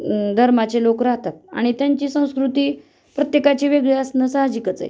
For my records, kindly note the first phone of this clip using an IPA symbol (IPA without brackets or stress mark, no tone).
d̪ʱ